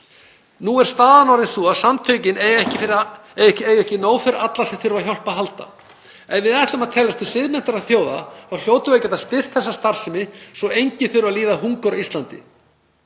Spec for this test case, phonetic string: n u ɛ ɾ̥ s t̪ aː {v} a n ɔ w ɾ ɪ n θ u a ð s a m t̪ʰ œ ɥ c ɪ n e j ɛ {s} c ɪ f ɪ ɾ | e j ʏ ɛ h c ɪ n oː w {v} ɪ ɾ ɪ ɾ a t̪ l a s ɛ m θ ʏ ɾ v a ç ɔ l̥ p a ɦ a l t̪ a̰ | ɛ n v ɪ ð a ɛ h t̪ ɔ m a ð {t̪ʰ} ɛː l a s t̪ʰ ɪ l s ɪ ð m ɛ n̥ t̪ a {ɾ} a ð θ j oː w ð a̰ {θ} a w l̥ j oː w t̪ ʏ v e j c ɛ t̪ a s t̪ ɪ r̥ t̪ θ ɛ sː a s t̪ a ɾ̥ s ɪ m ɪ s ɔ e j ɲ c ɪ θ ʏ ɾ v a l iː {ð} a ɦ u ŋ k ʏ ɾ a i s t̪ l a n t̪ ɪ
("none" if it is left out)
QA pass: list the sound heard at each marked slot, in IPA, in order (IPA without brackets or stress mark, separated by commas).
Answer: ð, h, f, t̪ʰ, ɾ, θ, ð